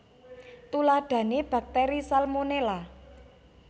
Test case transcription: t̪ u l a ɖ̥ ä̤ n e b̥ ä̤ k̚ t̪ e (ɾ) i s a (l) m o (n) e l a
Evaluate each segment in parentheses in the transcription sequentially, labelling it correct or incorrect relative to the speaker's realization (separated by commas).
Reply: correct, correct, correct